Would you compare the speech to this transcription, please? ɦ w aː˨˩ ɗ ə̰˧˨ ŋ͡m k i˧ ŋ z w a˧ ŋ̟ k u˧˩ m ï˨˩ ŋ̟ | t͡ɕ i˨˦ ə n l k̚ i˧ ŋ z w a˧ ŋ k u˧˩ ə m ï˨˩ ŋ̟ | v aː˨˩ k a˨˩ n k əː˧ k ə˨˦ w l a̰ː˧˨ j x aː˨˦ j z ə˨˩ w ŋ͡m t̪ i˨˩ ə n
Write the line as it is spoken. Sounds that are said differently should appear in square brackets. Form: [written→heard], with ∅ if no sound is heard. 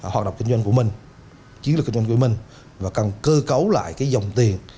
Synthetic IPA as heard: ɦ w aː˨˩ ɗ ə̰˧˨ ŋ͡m k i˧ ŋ z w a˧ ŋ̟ k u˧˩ m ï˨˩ ŋ̟ | t͡ɕ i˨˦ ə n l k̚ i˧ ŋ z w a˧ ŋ k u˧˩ ə m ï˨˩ ŋ̟ | v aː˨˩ k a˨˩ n k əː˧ k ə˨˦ w l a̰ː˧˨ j [x→k] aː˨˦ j z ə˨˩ w ŋ͡m t̪ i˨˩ ə n